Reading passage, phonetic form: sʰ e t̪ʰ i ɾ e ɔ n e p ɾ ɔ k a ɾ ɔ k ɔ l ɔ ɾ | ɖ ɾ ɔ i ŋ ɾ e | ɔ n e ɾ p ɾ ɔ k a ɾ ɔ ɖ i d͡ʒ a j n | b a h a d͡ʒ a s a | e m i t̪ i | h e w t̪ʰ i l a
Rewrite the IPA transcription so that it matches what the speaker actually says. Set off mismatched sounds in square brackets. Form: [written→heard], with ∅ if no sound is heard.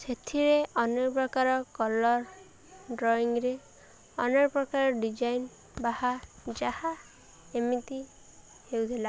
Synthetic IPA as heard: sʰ e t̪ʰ i ɾ e ɔ n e p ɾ ɔ k a ɾ ɔ k ɔ l ɔ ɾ | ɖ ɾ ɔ i ŋ ɾ e | ɔ n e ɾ p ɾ ɔ k a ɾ ɔ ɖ i d͡ʒ a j n | b a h a d͡ʒ a [s→h] a | e m i t̪ i | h e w t̪ʰ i l a